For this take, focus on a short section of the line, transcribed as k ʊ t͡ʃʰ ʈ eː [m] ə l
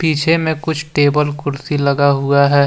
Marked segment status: incorrect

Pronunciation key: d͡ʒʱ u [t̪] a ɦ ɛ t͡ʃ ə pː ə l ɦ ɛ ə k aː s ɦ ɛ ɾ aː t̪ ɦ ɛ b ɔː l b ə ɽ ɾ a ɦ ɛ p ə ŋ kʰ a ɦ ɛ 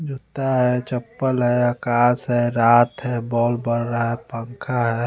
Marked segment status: correct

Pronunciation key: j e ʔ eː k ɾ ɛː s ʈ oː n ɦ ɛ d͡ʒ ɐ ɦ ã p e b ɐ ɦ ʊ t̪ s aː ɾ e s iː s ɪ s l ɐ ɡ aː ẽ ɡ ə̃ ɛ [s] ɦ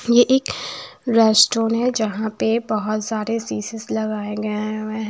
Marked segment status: incorrect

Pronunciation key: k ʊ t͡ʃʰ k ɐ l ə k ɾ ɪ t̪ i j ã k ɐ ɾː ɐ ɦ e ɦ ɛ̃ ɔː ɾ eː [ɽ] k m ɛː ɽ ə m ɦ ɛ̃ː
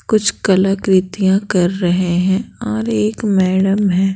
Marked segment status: incorrect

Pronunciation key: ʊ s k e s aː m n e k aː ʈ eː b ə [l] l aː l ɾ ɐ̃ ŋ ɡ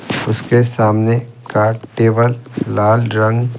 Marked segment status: correct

